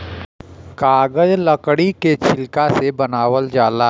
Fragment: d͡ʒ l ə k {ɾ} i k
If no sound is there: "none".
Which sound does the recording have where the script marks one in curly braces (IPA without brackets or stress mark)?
ɽ